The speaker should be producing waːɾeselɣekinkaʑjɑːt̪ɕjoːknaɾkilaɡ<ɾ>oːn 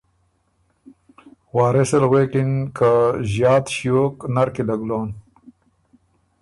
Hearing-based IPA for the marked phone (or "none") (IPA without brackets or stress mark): l